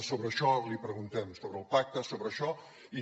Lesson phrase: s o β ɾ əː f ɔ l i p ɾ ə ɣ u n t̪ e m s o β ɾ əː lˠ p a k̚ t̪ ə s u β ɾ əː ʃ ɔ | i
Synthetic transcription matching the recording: s o β ɾ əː ʃ ɔ l i p ɾ ə ɣ u n t̪ ɛ m s o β ɾ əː lˠ p a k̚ t̪ ə s o β ɾ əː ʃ ɔ | i